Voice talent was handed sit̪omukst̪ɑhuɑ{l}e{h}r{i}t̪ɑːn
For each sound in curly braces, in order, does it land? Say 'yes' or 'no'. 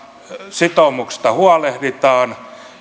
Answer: yes, yes, yes

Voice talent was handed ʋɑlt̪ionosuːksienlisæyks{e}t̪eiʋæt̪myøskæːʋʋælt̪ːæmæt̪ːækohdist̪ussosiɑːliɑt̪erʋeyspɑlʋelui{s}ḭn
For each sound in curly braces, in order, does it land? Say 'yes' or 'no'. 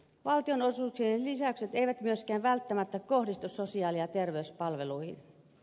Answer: yes, no

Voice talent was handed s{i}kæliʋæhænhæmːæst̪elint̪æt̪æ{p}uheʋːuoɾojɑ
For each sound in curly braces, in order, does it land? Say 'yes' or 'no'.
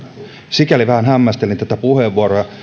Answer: yes, yes

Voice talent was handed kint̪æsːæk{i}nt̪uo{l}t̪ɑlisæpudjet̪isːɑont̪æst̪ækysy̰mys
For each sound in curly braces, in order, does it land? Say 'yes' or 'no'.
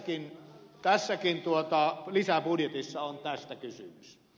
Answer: yes, no

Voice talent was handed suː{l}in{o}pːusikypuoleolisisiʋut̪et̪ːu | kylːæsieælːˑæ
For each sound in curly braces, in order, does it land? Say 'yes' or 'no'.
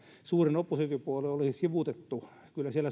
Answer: no, yes

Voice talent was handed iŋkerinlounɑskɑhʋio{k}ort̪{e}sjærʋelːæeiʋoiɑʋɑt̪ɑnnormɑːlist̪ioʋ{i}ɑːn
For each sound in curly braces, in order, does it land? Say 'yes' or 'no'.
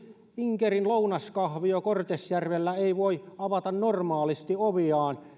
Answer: yes, yes, yes

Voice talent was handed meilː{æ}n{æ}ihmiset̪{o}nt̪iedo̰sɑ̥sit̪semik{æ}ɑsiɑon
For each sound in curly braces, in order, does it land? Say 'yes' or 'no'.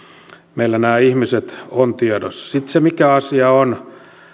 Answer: yes, no, yes, yes

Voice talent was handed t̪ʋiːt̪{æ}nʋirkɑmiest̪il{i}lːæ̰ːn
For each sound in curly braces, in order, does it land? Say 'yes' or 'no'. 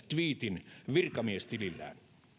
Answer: no, yes

